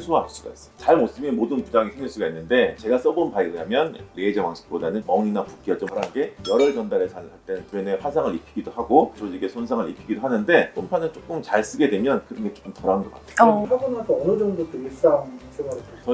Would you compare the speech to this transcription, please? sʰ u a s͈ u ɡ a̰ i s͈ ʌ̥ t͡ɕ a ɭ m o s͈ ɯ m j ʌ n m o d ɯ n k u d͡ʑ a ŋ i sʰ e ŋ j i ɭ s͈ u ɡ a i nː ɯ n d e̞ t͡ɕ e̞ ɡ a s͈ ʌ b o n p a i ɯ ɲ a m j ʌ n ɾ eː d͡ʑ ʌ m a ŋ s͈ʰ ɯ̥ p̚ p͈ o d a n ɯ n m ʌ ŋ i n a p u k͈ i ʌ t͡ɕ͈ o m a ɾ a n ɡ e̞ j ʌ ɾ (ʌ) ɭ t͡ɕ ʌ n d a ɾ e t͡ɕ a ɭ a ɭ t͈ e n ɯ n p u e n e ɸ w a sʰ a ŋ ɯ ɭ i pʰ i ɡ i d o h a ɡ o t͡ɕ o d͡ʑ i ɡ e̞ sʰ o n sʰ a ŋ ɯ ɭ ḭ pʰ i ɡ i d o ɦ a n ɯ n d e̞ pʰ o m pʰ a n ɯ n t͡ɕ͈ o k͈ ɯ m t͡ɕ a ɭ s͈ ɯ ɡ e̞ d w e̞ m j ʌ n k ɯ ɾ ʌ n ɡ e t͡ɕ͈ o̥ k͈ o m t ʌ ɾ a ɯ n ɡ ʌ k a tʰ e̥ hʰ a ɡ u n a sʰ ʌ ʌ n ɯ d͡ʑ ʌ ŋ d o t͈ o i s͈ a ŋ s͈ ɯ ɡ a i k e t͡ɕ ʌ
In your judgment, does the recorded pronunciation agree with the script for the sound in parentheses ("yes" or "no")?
yes